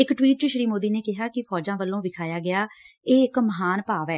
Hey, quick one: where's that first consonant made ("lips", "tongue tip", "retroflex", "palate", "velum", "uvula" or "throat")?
velum